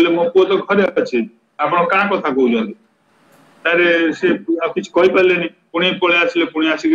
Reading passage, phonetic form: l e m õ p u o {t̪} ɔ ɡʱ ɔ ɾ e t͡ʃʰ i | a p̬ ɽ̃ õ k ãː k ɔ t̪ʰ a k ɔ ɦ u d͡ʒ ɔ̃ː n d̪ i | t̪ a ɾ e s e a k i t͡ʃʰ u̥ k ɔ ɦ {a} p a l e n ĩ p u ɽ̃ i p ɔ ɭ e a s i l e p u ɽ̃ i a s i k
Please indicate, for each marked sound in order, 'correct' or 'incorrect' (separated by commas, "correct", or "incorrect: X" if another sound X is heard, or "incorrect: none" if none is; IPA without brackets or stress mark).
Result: correct, incorrect: i